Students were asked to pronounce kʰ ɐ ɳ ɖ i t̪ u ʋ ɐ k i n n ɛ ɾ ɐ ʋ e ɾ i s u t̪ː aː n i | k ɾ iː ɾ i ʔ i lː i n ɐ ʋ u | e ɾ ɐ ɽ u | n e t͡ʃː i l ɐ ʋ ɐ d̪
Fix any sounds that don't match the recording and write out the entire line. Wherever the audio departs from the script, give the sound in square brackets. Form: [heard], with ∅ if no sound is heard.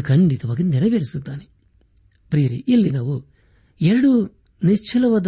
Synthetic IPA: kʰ ɐ ɳ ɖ i t̪ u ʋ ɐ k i n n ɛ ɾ ɐ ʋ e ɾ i s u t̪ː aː n i | [p] ɾ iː ɾ i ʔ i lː i n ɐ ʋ u | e ɾ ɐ ɽ u | n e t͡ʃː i l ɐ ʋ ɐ d̪